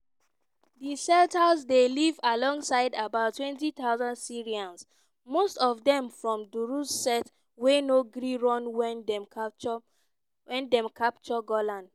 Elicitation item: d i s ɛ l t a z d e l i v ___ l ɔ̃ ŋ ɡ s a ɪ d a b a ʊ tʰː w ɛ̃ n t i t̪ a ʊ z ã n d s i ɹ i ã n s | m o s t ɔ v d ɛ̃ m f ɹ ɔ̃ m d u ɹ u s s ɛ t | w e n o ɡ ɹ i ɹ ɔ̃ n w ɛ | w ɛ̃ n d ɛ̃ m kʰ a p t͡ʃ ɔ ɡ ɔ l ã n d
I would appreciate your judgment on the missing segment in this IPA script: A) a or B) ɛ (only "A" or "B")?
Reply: A